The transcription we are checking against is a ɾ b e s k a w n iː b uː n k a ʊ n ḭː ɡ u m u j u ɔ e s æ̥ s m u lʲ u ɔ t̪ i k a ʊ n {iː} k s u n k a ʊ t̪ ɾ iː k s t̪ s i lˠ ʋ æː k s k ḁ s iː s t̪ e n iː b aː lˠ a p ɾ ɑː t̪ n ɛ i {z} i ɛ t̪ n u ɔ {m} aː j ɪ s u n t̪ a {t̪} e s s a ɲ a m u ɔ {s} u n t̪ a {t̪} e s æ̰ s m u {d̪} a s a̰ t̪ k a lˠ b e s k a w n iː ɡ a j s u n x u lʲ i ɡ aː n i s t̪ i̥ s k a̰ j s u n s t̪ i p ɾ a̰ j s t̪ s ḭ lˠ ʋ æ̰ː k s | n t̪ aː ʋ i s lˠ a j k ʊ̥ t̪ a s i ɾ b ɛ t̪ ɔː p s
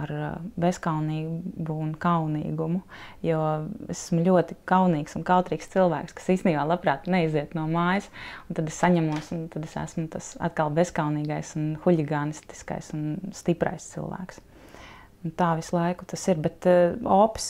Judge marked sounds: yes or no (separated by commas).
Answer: yes, yes, yes, no, yes, no, no